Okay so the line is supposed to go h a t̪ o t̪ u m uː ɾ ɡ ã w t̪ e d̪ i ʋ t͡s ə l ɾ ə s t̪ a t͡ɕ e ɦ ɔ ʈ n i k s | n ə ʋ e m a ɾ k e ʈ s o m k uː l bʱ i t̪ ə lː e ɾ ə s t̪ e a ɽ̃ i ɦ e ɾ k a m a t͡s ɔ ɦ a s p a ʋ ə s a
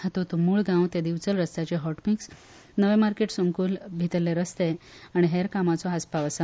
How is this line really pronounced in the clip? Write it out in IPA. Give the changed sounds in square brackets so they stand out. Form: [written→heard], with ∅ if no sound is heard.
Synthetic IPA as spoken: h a t̪ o t̪ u m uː [ɾ→ɭ] ɡ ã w t̪ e d̪ i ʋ t͡s ə l ɾ ə s t̪ a t͡ɕ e ɦ ɔ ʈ [n→m] i k s | n ə ʋ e m a ɾ k e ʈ s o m k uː l bʱ i t̪ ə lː e ɾ ə s t̪ e a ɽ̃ i ɦ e ɾ k a m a t͡s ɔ ɦ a s p a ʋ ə s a

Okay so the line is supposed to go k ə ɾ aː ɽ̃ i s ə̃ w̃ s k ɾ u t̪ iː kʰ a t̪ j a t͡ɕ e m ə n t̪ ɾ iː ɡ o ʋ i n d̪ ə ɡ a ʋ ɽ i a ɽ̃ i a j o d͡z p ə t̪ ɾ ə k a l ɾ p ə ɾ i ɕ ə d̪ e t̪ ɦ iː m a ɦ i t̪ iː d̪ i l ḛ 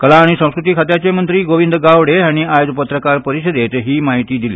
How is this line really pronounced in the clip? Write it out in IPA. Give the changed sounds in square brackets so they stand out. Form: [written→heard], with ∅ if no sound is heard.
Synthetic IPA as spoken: k ə [ɾ→l] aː ɽ̃ i s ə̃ w̃ s k ɾ u t̪ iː kʰ a t̪ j a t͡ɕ e m ə n t̪ ɾ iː ɡ o ʋ i n d̪ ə ɡ a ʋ ɽ [i→e] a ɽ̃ i a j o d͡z p ə t̪ ɾ ə k a [l→∅] ɾ p ə ɾ i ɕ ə d̪ e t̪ ɦ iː m a ɦ i t̪ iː d̪ i l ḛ

